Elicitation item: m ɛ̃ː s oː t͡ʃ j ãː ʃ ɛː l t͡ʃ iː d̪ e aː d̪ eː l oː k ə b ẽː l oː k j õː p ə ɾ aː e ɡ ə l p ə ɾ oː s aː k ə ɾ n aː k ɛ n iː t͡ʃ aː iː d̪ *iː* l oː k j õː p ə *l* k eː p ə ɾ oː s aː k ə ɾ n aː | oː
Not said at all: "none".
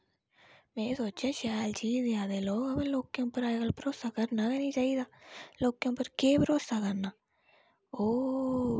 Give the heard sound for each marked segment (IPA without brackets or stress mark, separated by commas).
aː, ɾ